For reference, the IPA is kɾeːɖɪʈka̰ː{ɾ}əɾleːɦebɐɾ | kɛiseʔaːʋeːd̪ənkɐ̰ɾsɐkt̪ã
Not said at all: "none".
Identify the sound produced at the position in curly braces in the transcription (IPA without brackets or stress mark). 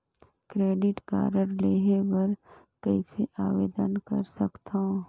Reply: ɾ